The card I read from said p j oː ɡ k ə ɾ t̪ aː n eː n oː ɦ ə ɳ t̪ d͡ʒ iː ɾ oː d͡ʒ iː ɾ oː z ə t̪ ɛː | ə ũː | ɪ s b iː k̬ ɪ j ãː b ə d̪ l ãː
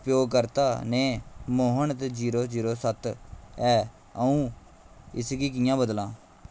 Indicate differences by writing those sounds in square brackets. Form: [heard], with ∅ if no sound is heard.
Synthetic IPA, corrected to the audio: p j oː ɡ k ə ɾ t̪ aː n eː [m] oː ɦ ə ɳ t̪ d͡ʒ iː ɾ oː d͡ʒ iː ɾ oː [s] ə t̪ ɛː | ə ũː | ɪ s [ɡ] iː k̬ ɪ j ãː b ə d̪ l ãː